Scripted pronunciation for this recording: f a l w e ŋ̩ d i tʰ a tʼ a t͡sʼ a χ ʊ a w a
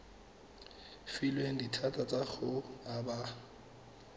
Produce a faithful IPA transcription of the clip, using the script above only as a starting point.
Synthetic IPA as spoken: f i l w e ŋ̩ d i tʰ a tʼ a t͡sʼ a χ ʊ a b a